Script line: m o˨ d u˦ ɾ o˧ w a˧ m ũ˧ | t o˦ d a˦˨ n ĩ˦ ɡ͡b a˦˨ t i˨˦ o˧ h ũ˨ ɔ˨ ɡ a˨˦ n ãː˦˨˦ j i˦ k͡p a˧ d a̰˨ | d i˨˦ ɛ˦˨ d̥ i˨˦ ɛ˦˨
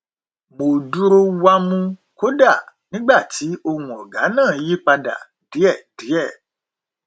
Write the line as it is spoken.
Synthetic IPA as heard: m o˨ d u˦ ɾ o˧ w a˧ m ũ˧ | k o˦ d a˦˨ n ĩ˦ ɡ͡b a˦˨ t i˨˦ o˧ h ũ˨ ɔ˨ ɡ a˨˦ n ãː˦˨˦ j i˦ k͡p a˧ d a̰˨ | d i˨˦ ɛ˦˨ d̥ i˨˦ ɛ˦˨